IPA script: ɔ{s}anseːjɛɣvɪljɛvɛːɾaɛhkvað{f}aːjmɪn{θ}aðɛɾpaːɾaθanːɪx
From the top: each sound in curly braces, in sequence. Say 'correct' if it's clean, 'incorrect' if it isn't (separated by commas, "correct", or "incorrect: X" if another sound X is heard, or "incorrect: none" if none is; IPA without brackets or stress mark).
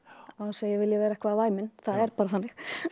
incorrect: h, incorrect: v, correct